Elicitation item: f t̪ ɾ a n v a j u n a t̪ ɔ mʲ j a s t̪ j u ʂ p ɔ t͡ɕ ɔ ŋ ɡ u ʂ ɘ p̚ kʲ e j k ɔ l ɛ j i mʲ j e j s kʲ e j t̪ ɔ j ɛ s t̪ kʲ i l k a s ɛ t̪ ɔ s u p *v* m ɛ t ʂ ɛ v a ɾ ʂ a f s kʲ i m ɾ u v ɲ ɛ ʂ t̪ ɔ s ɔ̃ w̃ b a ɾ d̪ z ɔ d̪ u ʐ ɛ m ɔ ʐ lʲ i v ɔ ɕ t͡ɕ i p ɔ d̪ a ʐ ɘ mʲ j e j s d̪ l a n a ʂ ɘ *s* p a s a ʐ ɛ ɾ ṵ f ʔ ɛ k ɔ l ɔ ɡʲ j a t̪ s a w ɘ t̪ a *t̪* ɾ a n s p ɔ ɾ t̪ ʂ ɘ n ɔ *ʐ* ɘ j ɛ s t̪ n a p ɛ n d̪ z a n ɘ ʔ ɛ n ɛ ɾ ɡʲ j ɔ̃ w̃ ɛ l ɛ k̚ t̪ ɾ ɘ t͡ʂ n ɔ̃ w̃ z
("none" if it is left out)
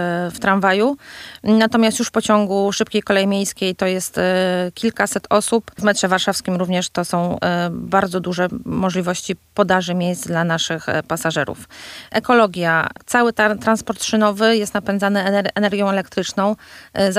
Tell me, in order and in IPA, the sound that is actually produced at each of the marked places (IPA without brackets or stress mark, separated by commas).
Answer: v, x, t̪, v